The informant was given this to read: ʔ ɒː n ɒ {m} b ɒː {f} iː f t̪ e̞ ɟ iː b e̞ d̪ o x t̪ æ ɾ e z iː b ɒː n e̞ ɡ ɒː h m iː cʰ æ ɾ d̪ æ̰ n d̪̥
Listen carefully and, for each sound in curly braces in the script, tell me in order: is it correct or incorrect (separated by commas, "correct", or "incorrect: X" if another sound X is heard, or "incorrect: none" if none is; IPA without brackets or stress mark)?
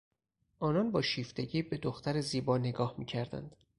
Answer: incorrect: n, incorrect: ʃ